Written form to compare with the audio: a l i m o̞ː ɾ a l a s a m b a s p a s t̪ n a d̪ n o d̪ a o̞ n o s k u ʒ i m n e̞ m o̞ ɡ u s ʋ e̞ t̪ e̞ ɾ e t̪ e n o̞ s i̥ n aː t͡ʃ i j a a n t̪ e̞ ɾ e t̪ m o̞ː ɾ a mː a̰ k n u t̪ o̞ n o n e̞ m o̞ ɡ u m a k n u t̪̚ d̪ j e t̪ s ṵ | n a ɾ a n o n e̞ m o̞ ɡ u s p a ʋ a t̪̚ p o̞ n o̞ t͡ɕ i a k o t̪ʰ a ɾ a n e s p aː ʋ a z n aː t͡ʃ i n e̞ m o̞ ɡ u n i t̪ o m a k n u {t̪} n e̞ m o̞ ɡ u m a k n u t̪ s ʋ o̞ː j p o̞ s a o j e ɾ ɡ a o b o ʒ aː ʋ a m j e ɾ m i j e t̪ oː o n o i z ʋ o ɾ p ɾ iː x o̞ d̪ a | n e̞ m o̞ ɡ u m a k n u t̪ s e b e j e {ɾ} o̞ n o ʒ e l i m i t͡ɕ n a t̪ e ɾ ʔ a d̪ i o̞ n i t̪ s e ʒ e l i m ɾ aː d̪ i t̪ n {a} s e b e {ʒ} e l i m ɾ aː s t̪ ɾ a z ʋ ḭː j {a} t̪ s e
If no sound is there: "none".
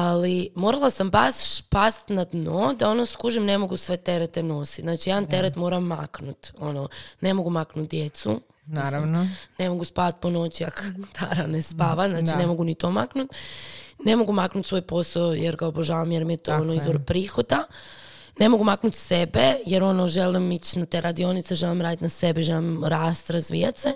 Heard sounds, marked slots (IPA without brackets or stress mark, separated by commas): t̪, ɾ, a, ʒ, a